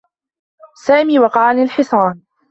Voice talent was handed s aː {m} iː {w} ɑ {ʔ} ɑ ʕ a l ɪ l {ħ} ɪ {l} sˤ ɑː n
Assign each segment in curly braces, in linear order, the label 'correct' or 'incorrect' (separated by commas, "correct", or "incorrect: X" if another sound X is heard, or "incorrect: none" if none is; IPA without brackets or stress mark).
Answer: correct, correct, incorrect: q, correct, incorrect: none